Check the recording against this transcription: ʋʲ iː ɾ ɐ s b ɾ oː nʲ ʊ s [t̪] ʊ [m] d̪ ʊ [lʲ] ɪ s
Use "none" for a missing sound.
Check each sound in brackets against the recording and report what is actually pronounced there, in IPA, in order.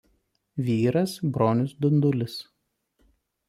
d̪, n, lʲ

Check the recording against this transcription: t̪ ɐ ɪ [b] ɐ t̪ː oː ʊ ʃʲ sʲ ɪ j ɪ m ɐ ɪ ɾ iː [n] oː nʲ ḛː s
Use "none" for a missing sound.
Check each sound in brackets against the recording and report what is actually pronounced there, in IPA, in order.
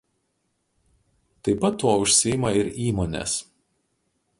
p, m

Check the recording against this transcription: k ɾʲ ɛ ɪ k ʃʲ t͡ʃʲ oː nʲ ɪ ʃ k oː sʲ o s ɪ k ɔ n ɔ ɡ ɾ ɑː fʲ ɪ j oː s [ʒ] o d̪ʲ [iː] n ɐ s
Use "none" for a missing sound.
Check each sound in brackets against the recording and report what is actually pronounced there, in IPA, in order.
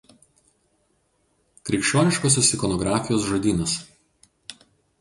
ʒ, iː

